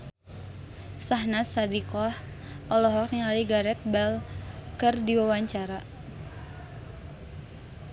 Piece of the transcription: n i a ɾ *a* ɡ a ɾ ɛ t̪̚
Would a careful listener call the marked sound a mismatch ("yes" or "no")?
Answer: yes